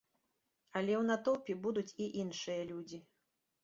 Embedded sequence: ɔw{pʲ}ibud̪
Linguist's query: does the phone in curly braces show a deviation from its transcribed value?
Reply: no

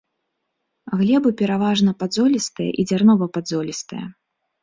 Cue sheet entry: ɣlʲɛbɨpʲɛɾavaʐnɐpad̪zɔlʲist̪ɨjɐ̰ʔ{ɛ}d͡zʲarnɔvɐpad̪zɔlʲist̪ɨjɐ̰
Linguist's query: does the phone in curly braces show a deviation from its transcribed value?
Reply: yes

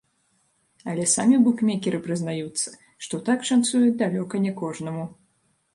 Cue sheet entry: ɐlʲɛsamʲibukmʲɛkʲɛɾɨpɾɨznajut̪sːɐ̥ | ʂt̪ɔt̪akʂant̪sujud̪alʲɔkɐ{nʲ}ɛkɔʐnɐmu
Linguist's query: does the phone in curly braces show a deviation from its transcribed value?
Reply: no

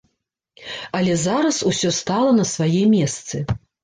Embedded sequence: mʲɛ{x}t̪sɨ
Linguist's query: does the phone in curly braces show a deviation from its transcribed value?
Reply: yes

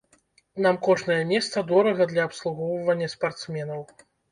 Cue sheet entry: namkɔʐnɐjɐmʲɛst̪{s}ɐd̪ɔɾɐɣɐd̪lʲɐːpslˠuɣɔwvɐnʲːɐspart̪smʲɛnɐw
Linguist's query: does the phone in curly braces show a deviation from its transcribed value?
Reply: no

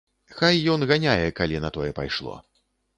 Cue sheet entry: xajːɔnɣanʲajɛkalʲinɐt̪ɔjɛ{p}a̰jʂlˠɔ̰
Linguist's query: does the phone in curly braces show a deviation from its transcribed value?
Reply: no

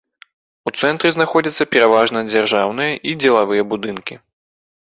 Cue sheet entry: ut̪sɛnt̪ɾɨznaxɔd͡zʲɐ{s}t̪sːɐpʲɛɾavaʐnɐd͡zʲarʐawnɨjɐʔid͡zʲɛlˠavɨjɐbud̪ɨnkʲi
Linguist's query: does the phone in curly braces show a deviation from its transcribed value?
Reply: yes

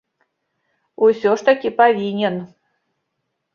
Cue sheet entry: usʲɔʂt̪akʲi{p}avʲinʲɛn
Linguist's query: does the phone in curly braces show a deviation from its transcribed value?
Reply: no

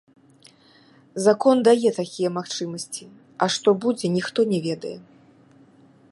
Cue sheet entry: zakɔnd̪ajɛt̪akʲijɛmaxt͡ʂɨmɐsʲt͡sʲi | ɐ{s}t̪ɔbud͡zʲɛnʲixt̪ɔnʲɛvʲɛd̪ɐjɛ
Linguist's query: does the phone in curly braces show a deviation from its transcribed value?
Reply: yes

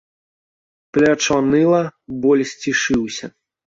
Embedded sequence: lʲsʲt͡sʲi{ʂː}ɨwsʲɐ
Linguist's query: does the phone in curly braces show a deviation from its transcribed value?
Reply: yes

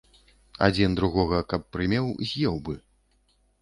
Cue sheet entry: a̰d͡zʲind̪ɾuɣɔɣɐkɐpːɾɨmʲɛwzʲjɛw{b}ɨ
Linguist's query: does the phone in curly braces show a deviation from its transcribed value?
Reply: no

